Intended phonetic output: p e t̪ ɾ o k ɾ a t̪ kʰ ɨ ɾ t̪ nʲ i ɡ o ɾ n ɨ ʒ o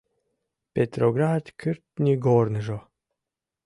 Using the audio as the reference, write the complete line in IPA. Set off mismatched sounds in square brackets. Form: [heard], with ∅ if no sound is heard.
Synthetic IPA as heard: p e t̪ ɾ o [ɡ] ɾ a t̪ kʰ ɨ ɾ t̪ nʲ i ɡ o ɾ n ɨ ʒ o